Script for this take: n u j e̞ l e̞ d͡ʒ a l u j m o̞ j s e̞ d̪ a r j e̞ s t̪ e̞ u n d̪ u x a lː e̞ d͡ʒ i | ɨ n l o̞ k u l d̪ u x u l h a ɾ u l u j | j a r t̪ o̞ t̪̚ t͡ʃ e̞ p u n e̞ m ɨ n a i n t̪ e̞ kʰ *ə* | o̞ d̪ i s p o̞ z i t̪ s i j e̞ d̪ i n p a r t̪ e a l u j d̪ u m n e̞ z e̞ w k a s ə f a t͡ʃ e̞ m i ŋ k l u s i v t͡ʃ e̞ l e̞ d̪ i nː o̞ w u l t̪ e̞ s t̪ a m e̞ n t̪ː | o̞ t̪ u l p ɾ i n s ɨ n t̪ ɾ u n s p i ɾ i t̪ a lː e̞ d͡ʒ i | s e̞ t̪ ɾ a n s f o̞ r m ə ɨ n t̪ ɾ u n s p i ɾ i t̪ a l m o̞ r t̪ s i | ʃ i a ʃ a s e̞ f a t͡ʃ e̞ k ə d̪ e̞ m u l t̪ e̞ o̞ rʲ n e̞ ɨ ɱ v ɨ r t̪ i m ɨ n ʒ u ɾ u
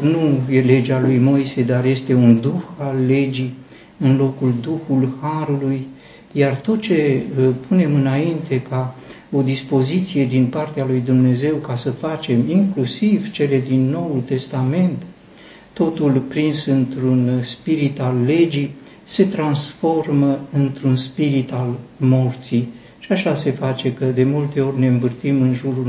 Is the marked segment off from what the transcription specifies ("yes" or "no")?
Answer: yes